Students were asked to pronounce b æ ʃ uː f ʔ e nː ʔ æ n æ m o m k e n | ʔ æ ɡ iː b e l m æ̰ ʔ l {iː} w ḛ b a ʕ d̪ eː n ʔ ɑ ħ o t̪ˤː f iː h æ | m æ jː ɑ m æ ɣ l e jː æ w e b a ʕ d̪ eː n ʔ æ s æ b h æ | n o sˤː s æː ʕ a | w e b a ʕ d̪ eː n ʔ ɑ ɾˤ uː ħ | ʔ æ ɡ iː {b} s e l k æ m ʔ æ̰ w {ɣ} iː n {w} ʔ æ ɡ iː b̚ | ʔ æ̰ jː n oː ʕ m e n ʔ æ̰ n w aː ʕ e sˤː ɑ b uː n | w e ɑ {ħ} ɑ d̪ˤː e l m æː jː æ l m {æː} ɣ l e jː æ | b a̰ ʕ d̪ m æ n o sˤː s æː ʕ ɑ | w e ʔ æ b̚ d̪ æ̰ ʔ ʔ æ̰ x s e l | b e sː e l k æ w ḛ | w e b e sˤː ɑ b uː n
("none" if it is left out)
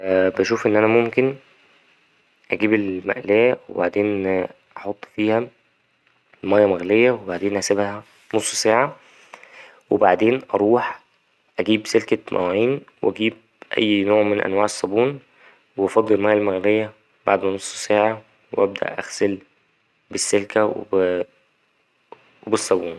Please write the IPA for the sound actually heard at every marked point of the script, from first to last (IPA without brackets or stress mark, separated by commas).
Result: æː, b, ʕ, w, f, æ